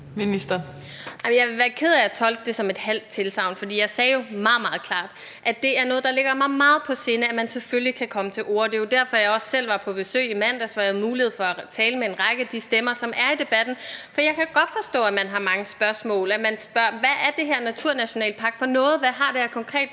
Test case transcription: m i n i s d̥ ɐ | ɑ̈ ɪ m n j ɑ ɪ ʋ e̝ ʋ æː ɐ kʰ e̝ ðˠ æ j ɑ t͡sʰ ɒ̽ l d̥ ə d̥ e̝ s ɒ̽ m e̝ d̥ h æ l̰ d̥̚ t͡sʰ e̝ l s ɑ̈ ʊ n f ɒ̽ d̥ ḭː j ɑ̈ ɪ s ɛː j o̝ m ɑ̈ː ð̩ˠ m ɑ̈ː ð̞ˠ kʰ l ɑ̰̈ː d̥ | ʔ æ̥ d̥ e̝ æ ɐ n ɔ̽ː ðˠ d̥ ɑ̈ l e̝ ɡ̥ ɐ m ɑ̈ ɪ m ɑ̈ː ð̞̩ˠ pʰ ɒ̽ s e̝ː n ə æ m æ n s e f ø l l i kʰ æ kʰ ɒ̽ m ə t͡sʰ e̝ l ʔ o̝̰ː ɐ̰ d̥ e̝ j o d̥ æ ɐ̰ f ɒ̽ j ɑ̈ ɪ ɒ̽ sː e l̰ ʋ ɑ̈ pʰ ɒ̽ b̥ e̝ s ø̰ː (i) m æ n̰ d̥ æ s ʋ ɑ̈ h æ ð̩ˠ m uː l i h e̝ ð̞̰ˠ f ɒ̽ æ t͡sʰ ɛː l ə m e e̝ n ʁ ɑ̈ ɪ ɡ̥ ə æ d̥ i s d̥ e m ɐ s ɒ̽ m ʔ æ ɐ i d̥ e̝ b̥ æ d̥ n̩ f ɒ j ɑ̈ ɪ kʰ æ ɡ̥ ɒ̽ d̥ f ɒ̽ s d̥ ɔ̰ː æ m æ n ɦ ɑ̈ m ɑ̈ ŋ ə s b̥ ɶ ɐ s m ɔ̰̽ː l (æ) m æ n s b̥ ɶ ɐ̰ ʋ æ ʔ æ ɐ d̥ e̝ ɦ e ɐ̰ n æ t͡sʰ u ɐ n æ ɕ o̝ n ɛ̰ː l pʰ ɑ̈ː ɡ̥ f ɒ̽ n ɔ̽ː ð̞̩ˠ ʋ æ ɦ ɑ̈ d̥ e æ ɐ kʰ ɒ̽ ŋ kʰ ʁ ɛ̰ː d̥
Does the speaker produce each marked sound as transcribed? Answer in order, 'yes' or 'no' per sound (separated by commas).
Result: yes, yes